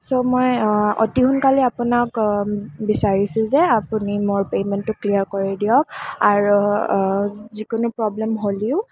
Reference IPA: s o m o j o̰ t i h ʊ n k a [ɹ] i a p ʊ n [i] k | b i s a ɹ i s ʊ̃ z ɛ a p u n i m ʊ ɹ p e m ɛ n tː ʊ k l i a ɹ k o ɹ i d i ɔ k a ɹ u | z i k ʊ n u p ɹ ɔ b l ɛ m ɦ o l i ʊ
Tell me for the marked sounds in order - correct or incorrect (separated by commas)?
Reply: incorrect, incorrect